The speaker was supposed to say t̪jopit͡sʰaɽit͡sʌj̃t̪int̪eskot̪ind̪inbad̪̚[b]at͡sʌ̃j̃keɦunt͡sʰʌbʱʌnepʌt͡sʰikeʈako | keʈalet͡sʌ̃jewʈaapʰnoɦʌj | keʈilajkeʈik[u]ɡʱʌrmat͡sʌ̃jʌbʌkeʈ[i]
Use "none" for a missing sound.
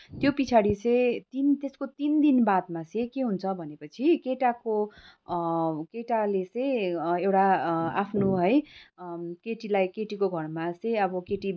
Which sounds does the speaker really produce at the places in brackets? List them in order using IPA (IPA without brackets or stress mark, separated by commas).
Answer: m, o, i